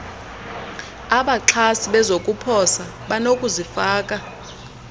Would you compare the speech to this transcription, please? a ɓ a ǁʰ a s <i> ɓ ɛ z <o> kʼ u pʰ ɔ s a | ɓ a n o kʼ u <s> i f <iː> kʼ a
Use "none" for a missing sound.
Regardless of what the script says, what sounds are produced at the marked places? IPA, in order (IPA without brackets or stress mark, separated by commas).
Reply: i, o, z, aː